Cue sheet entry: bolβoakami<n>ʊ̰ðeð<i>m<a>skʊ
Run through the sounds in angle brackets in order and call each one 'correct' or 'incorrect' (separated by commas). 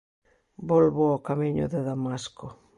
incorrect, incorrect, correct